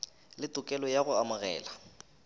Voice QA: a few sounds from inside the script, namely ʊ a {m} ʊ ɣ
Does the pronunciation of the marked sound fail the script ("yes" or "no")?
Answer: no